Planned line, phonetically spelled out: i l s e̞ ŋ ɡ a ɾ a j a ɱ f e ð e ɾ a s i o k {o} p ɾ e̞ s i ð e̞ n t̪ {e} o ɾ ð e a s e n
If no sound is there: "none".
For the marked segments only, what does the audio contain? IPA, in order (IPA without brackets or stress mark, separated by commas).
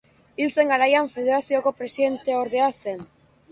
o, e